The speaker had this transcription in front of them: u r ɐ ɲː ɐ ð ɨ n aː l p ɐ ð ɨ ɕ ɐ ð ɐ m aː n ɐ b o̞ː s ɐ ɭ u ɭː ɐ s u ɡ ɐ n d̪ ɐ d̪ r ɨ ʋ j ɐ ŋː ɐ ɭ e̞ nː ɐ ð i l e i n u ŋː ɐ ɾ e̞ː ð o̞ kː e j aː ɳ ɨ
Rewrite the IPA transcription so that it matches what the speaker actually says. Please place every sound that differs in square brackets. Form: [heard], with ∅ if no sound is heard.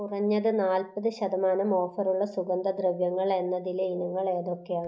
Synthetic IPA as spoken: u r ɐ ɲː ɐ ð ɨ n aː l p ɐ ð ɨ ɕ ɐ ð ɐ m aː n ɐ [m] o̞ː [f] ɐ [r] u ɭː ɐ s u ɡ ɐ n d̪ ɐ d̪ r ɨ ʋ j ɐ ŋː ɐ ɭ e̞ nː ɐ ð i l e i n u ŋː ɐ [ɭ] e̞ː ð o̞ kː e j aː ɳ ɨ